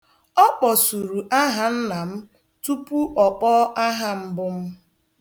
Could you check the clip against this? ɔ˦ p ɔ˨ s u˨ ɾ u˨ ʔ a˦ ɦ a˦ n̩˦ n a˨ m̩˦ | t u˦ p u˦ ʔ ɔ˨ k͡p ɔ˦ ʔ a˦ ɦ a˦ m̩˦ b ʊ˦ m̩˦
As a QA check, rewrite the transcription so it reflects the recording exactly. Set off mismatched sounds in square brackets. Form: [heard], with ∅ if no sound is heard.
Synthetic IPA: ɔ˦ [k͡p] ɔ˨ s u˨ ɾ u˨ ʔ a˦ ɦ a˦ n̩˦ n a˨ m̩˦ | t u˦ p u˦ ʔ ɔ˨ k͡p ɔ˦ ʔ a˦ ɦ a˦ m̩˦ b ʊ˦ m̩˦